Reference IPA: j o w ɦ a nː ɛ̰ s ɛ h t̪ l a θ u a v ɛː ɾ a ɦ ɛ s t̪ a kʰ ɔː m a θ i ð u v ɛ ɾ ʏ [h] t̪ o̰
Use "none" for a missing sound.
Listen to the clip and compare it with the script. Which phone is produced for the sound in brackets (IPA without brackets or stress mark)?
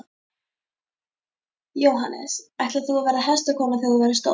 s